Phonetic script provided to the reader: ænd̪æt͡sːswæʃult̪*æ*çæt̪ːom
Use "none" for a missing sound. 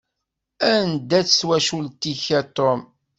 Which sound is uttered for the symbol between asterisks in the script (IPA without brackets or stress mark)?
i